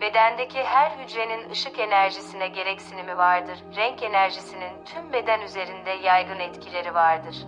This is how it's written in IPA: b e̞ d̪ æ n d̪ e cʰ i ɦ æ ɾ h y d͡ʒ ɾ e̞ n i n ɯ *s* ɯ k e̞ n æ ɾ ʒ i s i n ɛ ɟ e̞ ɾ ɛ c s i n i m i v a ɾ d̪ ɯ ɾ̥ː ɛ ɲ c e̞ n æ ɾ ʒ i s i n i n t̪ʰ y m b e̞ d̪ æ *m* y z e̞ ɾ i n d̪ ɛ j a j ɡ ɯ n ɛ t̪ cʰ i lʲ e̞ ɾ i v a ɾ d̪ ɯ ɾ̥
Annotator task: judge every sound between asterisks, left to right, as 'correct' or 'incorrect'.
incorrect, incorrect

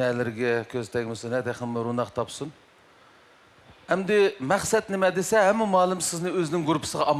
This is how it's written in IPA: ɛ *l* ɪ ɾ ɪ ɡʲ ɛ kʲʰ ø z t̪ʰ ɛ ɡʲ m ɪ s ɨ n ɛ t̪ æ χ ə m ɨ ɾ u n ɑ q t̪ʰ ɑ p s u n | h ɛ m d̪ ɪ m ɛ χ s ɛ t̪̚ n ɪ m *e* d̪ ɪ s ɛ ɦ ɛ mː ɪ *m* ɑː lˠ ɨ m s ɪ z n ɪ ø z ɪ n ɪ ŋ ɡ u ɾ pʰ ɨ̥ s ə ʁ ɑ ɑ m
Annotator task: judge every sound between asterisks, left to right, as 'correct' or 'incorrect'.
correct, incorrect, correct

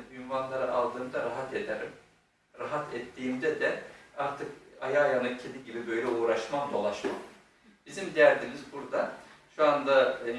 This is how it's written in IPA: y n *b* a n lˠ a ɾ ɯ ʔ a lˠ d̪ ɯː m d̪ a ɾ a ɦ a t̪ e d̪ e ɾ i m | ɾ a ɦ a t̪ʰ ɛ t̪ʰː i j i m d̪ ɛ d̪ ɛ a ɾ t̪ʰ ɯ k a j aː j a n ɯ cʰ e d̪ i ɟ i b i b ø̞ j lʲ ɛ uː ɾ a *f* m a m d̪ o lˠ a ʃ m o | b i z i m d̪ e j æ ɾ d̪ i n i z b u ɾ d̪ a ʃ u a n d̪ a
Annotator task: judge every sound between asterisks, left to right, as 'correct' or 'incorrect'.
incorrect, incorrect

